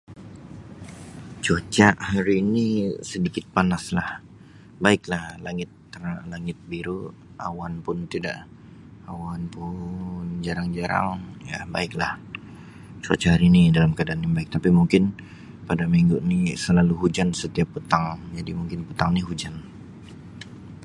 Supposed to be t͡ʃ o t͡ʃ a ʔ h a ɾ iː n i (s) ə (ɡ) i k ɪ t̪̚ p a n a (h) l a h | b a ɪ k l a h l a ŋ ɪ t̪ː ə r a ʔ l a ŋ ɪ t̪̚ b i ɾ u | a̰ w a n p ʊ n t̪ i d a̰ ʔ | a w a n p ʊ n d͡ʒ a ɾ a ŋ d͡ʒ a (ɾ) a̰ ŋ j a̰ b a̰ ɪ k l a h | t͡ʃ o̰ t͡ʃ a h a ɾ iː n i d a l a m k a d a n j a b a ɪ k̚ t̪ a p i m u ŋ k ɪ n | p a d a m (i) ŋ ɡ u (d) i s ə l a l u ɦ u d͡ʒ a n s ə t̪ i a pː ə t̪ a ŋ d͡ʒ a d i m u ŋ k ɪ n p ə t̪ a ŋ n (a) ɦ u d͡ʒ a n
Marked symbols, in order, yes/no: yes, no, no, yes, yes, no, no

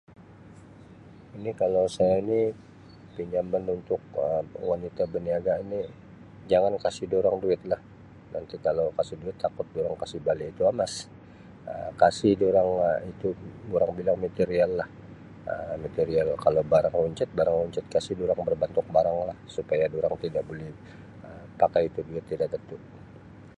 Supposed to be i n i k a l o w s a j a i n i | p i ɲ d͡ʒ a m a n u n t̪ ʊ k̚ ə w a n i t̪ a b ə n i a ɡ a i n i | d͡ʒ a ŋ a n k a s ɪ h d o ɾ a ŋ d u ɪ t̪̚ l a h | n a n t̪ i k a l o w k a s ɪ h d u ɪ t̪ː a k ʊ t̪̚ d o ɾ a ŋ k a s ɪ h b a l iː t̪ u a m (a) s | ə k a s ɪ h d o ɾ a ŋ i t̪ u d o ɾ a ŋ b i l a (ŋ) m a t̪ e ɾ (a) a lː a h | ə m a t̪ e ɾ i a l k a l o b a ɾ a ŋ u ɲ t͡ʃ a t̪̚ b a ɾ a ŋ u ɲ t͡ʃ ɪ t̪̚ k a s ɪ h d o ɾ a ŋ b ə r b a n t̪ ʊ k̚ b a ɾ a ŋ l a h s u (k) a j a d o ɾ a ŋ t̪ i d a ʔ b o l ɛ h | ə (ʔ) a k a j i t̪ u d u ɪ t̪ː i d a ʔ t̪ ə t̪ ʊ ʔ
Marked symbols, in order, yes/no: yes, yes, no, no, no

